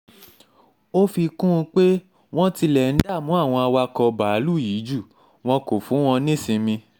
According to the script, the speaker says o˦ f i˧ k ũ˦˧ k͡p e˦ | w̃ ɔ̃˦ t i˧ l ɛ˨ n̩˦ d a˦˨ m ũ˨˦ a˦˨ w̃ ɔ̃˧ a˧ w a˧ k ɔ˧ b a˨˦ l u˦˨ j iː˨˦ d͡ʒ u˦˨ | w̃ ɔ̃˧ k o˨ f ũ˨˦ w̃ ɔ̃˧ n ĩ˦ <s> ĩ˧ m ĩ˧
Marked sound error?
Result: no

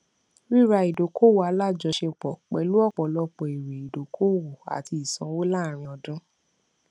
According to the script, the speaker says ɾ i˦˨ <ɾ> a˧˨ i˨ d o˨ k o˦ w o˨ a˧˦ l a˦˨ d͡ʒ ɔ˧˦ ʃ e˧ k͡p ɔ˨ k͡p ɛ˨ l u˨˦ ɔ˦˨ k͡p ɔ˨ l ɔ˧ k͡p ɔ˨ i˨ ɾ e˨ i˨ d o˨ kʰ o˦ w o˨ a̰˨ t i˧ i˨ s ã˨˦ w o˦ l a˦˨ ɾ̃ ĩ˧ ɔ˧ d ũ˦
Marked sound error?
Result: no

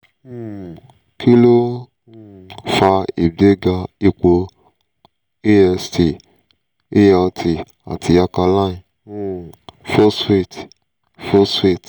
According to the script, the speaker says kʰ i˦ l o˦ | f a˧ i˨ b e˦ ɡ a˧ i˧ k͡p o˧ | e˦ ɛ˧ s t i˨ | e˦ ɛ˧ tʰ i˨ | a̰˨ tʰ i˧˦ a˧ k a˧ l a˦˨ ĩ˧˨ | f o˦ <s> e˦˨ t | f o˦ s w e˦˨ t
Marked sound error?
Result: no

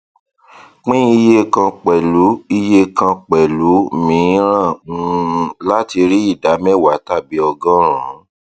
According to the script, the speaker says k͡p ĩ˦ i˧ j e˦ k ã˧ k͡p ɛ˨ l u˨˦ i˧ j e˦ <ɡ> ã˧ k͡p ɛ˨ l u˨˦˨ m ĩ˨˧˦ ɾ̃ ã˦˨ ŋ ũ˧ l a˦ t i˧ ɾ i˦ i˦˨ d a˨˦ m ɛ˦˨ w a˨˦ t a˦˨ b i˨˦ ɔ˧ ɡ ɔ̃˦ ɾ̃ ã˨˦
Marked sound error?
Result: yes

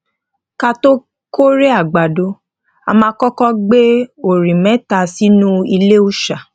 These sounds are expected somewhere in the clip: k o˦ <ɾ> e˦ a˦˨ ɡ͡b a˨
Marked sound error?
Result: no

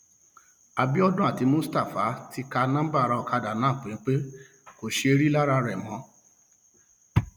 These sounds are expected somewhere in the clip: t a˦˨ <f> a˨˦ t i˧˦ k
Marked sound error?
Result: no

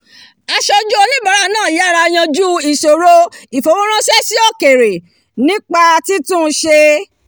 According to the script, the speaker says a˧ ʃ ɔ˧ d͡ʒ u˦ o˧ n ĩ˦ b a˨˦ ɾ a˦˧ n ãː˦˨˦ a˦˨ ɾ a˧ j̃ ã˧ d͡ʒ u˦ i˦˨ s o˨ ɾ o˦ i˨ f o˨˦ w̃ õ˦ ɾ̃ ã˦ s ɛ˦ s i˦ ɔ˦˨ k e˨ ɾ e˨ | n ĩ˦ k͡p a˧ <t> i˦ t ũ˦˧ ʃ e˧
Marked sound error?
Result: no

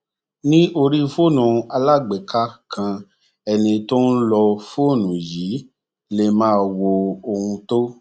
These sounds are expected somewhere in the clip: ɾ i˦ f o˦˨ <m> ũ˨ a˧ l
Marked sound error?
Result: yes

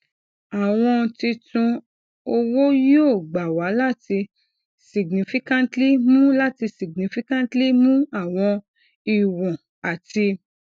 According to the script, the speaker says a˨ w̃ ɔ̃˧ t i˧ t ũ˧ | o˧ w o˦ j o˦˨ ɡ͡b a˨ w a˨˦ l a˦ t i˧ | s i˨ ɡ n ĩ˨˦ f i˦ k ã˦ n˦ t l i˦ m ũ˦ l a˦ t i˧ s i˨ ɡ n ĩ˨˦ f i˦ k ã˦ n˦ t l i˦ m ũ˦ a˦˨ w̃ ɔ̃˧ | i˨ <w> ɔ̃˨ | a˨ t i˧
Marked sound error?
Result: no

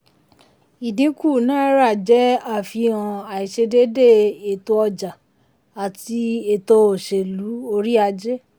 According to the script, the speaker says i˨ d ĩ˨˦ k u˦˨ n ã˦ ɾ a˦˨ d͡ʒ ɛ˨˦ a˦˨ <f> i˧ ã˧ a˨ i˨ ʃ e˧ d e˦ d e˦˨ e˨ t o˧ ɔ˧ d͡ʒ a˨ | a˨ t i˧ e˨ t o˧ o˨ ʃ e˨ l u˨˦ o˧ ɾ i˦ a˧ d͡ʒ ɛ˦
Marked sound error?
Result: no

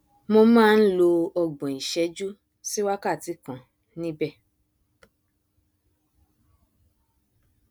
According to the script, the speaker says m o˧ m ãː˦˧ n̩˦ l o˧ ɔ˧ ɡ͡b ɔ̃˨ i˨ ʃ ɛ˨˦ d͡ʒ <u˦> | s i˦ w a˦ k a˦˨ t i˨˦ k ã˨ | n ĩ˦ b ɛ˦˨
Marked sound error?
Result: no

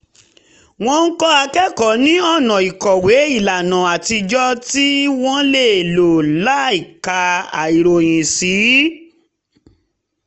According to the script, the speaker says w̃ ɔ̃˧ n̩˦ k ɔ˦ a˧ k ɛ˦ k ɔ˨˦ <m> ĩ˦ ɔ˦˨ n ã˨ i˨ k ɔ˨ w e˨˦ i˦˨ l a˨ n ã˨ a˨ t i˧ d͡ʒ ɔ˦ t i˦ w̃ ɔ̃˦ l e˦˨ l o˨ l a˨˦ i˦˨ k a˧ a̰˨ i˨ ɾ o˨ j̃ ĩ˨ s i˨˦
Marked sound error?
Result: yes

